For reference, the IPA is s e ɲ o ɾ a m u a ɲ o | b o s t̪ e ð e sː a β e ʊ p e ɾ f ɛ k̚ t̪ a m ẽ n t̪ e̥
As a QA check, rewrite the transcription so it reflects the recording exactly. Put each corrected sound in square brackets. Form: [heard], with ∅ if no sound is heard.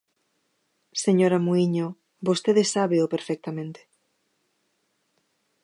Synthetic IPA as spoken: s e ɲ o ɾ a m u [i] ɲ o | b o s t̪ e ð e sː a β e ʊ p e ɾ f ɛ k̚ t̪ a m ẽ n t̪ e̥

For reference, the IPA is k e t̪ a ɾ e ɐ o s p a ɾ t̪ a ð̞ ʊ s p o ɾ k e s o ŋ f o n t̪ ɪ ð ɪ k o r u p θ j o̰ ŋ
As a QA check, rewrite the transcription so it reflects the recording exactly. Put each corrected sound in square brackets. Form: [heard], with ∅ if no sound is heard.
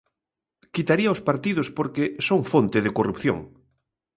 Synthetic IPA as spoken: k [i] t̪ a ɾ [i] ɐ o s p a ɾ t̪ [i] ð̞ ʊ s p o ɾ k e s o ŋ f o n t̪ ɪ ð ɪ k o r u p θ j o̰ ŋ

